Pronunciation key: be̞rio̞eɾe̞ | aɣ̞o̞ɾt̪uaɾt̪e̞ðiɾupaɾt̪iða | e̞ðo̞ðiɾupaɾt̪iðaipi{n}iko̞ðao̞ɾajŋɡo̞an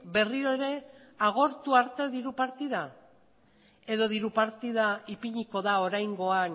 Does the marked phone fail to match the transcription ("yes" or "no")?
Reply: yes